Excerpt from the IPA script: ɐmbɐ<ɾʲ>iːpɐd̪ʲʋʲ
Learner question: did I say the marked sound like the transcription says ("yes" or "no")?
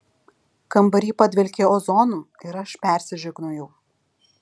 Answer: yes